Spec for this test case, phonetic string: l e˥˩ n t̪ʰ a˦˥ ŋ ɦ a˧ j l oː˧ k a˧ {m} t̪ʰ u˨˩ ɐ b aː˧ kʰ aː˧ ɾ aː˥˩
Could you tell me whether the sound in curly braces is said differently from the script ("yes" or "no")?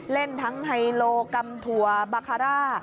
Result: no